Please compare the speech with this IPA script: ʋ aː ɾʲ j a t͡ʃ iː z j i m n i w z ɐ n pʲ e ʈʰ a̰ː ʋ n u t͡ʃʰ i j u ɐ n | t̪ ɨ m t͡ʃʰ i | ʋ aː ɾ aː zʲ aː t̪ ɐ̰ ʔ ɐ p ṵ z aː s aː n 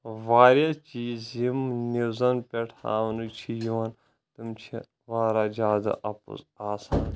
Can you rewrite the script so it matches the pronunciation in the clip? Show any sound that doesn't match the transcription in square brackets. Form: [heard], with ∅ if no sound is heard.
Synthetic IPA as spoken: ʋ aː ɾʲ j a t͡ʃ iː z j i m n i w z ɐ n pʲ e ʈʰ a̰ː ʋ n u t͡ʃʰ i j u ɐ n | t̪ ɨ m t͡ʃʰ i | ʋ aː ɾ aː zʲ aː [d̪] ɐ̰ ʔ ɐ p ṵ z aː s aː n